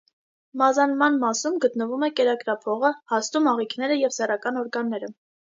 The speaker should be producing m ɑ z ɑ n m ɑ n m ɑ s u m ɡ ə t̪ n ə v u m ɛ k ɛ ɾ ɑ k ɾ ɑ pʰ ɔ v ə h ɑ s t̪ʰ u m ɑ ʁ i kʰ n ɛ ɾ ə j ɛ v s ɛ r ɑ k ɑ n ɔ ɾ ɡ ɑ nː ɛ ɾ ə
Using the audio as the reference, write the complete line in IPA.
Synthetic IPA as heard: m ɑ z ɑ n m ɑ n m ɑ s u m ɡ ə t̪ n ə v u m ɛ k ɛ ɾ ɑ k ɾ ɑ pʰ ɔ ʁ ə h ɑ s t̪ u m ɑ ʁ i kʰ n ɛ ɾ ə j ɛ v s ɛ r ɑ k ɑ n ɔ ɾ ɡ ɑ nː ɛ ɾ ə